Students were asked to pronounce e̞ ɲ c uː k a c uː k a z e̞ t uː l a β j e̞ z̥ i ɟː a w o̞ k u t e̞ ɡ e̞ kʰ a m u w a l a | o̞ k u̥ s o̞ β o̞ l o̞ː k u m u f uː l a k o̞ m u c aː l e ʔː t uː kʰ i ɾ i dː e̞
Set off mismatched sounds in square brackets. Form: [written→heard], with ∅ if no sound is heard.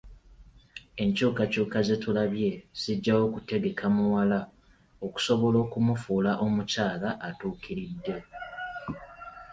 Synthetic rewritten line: e̞ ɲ c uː k a c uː k a z e̞ t [uː→u] l a β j e̞ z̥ i ɟː a w o̞ k u t e̞ ɡ e̞ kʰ a m u w a l a | o̞ k u̥ s o̞ β o̞ l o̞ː k u m u f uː l a [k→ʔ] o̞ m u c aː l [e→a] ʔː t uː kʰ i ɾ i dː e̞